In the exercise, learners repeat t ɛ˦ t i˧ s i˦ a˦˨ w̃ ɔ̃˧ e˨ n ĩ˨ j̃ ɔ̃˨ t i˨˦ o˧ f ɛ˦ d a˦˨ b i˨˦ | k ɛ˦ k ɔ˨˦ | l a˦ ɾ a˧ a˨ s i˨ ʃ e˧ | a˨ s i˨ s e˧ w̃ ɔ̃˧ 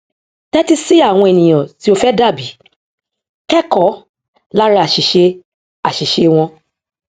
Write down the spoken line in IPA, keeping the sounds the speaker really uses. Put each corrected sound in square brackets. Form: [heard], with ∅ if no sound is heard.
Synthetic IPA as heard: t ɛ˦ t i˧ s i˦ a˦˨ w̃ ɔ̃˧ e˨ n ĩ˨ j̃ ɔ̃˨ t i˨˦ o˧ f ɛ˦ d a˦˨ b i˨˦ | k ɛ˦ k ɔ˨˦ | l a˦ ɾ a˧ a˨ [ʃ] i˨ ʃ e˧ | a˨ [ʃ] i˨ [ʃ] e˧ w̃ ɔ̃˧